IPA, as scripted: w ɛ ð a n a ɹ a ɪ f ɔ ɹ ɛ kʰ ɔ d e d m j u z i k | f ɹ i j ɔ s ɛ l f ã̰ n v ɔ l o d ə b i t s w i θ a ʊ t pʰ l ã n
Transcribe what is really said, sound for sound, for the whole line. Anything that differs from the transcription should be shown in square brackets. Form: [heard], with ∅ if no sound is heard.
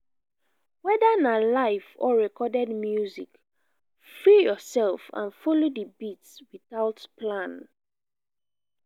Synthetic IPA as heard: w ɛ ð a n a [l] a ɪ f ɔ ɹ ɛ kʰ ɔ d [ɛ] d m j u z i k | f ɹ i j ɔ s ɛ l f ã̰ n [f] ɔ l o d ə b i t s w i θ a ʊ t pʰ l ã n